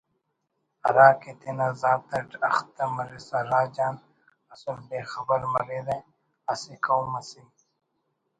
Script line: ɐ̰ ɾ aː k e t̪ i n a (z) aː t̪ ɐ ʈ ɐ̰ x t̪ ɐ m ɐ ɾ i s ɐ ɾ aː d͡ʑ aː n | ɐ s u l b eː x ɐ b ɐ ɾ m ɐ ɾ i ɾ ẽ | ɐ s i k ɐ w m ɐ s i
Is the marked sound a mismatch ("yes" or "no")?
no